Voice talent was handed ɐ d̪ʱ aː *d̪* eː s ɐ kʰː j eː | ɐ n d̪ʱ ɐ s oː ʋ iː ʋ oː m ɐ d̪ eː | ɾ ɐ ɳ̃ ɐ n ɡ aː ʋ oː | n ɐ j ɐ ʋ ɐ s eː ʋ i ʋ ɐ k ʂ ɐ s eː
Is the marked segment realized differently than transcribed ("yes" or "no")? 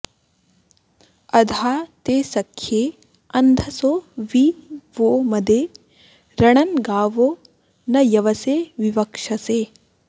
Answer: yes